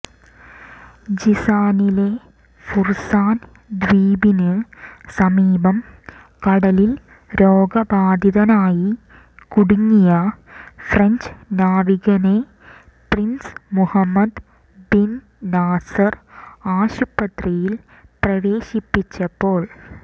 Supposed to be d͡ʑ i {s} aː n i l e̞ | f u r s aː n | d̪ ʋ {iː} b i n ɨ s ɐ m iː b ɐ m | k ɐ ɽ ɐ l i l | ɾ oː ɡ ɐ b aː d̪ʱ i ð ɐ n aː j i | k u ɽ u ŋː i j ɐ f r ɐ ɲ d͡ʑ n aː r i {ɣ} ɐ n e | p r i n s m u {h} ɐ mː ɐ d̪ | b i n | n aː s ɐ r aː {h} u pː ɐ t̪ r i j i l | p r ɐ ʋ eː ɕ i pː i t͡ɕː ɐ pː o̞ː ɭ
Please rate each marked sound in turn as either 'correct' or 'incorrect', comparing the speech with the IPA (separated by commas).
correct, correct, correct, correct, incorrect